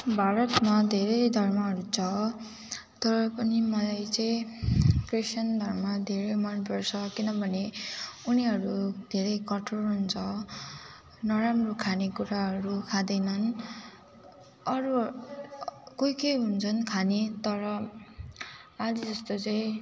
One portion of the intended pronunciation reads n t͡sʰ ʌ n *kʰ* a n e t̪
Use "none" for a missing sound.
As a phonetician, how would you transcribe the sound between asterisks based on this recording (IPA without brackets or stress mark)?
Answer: kʰ